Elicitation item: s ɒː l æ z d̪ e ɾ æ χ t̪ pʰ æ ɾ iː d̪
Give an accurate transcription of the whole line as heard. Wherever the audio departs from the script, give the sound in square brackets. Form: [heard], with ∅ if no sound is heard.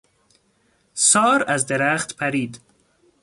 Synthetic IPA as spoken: s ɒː [ɾ] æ z d̪ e ɾ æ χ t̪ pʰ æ ɾ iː d̪

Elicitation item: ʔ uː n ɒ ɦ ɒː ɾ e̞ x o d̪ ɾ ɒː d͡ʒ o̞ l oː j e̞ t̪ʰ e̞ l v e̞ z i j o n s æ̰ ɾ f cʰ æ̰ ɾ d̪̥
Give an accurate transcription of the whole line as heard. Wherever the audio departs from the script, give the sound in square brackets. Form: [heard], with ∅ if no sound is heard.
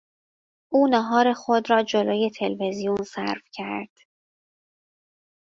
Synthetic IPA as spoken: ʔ uː n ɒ ɦ ɒː ɾ e̞ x o d̪ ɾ ɒː d͡ʒ o̞ l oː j e̞ t̪ʰ e̞ l v e̞ z i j [u] n s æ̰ ɾ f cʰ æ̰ ɾ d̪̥

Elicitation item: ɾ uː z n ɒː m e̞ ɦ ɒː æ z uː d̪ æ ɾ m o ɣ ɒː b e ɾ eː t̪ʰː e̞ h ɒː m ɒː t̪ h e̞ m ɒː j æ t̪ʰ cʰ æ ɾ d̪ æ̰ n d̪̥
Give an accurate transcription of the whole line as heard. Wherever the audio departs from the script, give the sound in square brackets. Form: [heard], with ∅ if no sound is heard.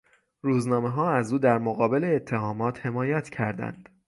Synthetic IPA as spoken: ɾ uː z n ɒː m e̞ ɦ ɒː æ z uː d̪ æ ɾ m o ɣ ɒː b e [l] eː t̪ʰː e̞ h ɒː m ɒː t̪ h e̞ m ɒː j æ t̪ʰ cʰ æ ɾ d̪ æ̰ n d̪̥

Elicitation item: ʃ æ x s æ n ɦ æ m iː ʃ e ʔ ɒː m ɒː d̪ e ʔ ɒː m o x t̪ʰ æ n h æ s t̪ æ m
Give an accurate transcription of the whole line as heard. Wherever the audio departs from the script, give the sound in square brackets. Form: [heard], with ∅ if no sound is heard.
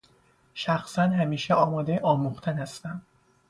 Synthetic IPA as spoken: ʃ æ x s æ n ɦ æ m iː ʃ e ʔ ɒː m ɒː d̪ e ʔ ɒː m [u] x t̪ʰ æ n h æ s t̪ æ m

